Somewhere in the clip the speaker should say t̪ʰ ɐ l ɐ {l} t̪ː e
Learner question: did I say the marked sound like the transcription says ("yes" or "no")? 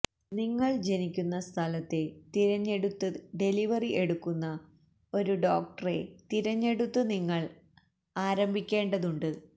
no